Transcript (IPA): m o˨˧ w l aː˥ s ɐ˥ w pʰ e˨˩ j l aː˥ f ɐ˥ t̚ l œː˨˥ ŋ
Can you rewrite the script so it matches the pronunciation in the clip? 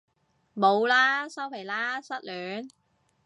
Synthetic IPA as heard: m o˨˧ w l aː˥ s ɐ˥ w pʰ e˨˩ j l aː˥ s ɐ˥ t̚ l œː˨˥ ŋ